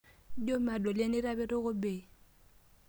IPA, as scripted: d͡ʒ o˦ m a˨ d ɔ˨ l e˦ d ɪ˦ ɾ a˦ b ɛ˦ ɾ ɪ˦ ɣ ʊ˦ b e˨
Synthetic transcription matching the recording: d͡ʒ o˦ m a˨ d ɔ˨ l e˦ n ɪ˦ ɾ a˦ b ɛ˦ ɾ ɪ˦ ɣ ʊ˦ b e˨